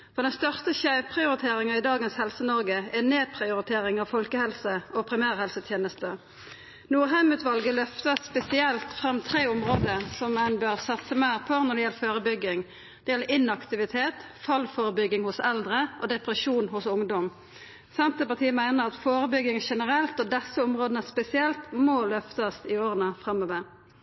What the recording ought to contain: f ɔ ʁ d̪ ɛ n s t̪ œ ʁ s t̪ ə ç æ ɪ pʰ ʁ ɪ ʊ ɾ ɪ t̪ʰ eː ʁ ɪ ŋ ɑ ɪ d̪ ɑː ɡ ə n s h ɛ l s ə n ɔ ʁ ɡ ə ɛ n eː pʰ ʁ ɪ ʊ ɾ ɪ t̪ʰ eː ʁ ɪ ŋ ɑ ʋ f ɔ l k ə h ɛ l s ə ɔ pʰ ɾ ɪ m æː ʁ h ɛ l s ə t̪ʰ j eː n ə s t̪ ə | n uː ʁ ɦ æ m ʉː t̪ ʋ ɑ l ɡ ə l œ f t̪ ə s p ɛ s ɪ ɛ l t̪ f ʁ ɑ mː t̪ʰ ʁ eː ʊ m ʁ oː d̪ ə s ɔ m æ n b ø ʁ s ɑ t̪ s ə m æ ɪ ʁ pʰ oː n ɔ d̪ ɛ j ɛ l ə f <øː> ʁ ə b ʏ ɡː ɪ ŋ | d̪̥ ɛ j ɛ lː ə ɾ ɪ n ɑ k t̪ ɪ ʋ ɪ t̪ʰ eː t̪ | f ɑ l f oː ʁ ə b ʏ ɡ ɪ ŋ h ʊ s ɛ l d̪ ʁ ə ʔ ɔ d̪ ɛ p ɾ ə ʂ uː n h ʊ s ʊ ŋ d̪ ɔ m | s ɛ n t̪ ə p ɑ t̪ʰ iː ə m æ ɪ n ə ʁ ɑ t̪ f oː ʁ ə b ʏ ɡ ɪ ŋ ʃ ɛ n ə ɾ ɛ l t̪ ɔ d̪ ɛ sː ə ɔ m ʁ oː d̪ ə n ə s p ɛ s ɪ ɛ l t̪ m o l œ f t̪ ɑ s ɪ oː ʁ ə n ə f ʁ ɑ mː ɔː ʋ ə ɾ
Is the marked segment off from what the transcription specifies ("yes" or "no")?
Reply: no